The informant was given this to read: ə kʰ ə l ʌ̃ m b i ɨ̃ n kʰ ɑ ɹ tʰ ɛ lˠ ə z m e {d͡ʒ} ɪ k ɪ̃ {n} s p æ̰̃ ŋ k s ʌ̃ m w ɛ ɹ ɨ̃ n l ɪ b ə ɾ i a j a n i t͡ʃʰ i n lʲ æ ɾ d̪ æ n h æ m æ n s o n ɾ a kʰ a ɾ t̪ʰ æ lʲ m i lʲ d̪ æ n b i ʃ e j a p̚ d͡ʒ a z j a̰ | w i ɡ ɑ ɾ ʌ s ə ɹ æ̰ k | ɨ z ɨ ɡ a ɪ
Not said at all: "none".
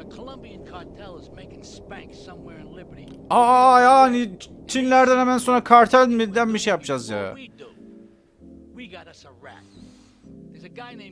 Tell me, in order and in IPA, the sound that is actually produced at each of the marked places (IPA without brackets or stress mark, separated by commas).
none, ŋ